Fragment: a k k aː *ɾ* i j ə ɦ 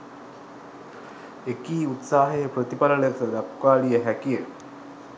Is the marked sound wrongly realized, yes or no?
yes